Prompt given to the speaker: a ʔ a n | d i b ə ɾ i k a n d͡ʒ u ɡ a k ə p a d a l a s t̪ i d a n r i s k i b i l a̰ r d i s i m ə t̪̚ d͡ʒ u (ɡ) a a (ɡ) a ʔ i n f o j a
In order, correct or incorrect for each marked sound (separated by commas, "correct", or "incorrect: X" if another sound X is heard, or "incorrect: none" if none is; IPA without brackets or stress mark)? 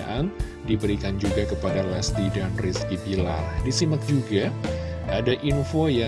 correct, incorrect: d